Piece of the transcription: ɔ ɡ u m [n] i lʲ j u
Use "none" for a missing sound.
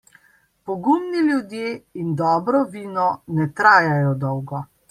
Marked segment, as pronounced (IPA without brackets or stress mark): n